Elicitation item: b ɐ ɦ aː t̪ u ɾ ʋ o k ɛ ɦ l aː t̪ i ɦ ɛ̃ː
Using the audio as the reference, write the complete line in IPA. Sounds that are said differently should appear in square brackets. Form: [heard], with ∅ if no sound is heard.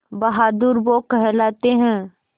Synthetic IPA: b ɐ ɦ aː [d̪] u ɾ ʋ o k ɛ ɦ l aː t̪ [e] ɦ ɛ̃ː